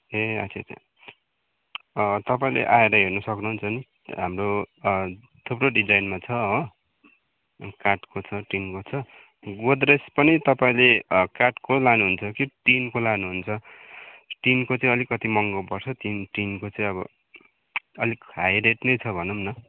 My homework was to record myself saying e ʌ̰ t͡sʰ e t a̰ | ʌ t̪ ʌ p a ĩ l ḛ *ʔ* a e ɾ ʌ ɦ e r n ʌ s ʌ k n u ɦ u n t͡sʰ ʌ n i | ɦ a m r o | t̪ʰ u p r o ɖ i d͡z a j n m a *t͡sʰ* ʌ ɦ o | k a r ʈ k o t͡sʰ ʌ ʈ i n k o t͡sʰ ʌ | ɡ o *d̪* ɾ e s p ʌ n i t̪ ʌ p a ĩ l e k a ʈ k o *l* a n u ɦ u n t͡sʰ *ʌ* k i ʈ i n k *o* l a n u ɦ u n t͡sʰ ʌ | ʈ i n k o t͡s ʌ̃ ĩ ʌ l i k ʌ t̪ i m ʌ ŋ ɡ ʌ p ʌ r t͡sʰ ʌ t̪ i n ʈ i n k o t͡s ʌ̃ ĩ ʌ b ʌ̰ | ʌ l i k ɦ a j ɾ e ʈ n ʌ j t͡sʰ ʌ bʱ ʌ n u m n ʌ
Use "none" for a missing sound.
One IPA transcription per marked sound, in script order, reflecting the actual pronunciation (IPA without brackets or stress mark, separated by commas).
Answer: ʔ, t͡sʰ, d̪, l, ʌ, o